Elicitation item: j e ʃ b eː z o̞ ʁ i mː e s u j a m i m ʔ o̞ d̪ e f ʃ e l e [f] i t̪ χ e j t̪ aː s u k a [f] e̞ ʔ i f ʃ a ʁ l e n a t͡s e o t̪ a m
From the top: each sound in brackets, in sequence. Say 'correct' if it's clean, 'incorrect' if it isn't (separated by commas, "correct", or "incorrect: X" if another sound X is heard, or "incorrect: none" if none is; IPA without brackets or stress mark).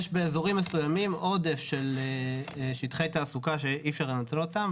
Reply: incorrect: ʃ, incorrect: ʃ